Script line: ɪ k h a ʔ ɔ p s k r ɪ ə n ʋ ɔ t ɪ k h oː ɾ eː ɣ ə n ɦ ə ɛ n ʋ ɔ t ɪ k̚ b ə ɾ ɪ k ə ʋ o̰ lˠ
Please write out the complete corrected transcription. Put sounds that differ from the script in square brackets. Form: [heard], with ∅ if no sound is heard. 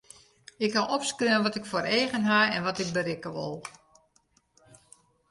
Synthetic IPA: ɪ k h a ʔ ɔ p s k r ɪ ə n ʋ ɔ t ɪ k [f] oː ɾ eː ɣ ə n ɦ [a] ɛ n ʋ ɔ t ɪ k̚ b ə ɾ ɪ k ə ʋ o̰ lˠ